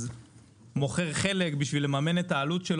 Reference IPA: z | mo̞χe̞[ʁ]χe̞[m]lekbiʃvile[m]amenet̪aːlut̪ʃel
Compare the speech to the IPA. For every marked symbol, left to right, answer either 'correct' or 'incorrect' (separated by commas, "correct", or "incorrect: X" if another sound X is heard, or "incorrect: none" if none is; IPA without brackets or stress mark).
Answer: correct, incorrect: none, correct